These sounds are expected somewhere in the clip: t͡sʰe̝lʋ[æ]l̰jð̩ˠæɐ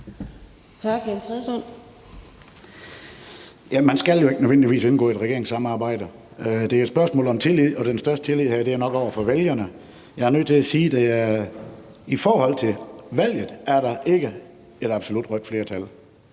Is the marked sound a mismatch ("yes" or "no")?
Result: no